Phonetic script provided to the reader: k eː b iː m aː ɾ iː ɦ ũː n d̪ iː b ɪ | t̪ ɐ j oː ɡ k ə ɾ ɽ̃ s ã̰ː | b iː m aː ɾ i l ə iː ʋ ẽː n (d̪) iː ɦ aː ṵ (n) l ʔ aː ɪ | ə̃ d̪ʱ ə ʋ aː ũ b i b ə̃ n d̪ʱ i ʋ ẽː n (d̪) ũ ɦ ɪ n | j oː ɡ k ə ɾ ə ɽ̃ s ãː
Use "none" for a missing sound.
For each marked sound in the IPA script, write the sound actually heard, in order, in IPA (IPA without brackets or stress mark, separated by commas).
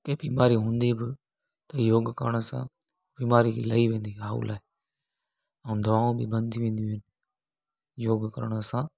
d̪, none, d̪